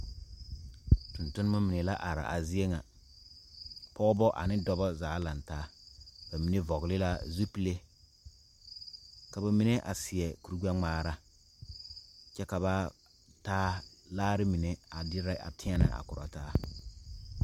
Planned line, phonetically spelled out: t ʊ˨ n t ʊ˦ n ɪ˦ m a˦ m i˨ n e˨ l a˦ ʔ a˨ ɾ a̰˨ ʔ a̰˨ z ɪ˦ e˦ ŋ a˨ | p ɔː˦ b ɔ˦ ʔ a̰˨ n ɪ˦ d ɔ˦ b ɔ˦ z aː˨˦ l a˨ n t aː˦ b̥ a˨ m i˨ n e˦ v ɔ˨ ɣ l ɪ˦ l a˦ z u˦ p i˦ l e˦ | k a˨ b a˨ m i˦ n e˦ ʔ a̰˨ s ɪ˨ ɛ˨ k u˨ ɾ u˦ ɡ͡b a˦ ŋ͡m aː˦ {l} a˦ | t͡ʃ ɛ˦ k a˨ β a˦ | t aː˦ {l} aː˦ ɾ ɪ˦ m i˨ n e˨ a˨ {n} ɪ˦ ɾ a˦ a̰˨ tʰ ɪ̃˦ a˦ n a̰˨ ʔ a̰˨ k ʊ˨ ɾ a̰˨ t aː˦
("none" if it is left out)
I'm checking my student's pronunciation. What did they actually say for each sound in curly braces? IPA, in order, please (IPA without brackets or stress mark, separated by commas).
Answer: ɾ, l, d